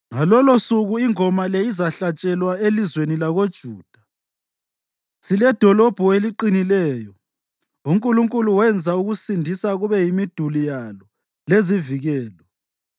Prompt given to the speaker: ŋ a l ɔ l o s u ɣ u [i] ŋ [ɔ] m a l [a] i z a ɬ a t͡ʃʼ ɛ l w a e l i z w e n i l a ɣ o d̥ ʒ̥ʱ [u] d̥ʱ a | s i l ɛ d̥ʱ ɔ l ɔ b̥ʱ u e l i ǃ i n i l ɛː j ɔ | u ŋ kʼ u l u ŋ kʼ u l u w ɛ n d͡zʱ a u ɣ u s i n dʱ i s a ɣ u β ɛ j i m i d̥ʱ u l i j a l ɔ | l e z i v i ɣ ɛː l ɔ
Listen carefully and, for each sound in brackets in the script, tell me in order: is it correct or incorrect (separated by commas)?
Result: correct, correct, incorrect, incorrect